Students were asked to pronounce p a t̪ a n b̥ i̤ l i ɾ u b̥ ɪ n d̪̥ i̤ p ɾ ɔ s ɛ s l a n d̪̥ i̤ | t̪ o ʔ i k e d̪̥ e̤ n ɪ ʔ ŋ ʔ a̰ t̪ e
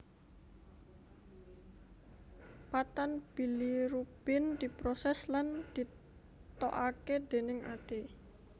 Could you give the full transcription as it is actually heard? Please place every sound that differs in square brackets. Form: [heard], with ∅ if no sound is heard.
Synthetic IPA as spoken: p a t̪ a n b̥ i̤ l i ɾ u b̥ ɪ n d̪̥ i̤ p ɾ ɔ s ɛ s l a n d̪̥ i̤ | t̪ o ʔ [a] k e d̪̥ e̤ n ɪ [∅] ŋ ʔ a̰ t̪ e